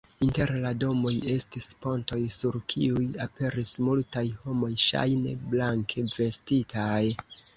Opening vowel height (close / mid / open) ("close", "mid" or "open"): close